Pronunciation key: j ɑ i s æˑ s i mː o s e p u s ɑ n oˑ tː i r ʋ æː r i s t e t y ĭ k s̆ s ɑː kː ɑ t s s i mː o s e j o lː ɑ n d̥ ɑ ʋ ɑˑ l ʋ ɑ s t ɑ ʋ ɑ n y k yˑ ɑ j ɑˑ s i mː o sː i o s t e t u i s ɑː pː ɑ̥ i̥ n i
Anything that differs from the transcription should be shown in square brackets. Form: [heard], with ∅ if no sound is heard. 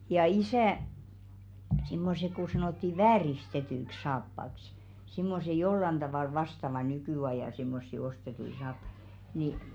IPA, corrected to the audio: j ɑ i s æˑ s i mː o s e [k] u s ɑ n oˑ tː i [∅] ʋ æː r i s t e t y ĭ k s̆ s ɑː [pː] ɑ [k] s s i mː o s e j o lː ɑ n d̥ ɑ ʋ ɑˑ l ʋ ɑ s t ɑ ʋ ɑ n y k yˑ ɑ j ɑˑ s i mː o sː i o s t e t u i s ɑː pː ɑ̥ i̥ n i